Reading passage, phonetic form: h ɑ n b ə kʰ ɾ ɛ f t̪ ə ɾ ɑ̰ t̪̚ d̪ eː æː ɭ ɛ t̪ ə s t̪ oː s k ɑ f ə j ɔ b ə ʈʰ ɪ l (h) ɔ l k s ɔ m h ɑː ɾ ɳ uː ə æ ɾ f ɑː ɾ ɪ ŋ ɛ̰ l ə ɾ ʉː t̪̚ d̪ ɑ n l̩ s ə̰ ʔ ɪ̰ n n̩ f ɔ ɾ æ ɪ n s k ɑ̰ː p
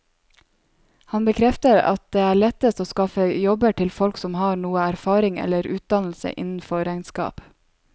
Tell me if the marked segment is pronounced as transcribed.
no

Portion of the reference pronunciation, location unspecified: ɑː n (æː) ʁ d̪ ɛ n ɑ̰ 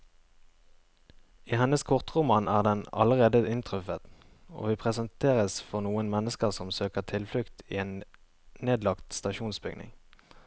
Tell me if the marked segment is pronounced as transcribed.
yes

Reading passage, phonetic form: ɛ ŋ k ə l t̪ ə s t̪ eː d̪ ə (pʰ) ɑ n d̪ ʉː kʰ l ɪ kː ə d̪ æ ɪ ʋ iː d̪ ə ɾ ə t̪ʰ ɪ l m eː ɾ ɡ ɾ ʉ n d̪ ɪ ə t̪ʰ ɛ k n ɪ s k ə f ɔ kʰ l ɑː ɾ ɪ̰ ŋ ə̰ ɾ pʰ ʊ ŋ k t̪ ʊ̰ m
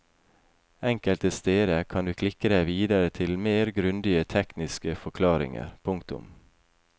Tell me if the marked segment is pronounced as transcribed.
no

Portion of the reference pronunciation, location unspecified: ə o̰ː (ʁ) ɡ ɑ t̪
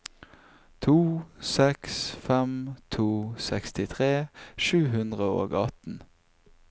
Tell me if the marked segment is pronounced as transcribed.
no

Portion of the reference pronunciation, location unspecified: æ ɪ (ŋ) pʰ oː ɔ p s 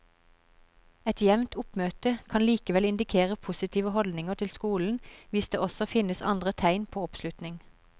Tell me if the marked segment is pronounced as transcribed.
no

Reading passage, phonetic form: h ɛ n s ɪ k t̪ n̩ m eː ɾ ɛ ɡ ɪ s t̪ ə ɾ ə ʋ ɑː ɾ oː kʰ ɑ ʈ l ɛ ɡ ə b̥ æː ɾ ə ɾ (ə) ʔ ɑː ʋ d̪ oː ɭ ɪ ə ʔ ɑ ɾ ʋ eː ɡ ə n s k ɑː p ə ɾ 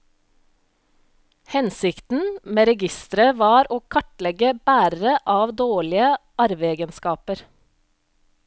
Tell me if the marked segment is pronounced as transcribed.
yes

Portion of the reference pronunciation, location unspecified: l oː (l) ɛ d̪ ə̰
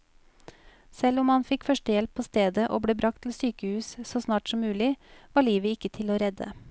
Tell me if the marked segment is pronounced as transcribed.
no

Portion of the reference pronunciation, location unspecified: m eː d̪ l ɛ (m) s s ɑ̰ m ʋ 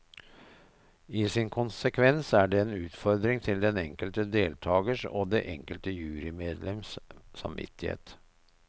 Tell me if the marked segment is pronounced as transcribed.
yes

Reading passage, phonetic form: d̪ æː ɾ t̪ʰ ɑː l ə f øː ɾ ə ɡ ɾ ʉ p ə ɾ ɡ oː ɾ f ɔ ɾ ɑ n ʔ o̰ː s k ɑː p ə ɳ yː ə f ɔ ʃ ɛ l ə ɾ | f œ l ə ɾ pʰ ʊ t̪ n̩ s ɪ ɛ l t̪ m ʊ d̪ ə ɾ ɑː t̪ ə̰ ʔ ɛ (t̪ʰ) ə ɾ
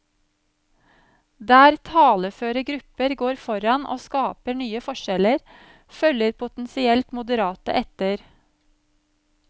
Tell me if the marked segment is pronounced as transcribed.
no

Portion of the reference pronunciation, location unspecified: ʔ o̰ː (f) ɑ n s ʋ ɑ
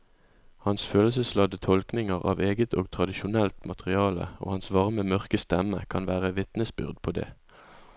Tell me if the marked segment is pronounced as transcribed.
no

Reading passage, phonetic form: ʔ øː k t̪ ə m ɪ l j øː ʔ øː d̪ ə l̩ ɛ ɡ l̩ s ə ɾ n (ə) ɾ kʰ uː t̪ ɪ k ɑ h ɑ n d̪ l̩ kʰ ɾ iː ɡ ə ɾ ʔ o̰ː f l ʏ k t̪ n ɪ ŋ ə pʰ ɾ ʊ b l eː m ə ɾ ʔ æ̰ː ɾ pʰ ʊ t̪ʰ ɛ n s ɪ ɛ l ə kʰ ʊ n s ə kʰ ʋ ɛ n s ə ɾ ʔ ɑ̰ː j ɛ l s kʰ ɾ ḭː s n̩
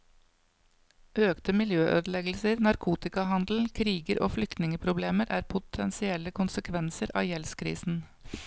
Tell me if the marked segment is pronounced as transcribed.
no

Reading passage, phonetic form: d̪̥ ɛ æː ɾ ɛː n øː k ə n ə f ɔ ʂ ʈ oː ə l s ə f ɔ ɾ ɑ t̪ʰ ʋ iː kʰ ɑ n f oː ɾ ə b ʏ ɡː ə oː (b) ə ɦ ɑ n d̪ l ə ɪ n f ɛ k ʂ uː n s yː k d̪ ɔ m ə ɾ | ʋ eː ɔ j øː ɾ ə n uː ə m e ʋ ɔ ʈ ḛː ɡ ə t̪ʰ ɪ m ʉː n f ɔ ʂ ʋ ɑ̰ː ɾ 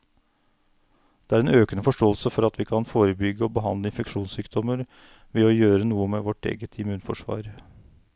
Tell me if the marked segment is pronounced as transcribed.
yes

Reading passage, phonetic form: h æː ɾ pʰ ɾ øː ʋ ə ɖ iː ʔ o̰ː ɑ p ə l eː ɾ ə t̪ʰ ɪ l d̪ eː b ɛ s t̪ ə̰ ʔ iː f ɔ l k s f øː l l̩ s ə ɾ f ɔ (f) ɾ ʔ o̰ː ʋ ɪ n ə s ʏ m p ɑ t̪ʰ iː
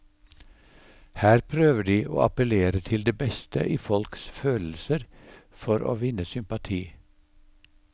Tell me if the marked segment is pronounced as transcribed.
no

